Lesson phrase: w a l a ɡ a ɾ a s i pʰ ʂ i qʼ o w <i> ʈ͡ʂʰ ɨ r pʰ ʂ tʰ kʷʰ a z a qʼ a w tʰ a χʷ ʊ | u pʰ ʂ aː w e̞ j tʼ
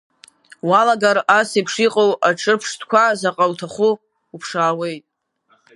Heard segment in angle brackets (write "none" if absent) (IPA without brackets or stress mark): a